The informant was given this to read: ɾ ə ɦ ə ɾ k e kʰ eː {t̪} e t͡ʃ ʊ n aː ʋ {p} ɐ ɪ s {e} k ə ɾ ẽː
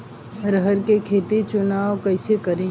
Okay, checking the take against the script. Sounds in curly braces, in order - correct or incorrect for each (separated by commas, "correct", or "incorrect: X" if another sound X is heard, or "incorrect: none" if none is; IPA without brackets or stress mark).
correct, incorrect: k, correct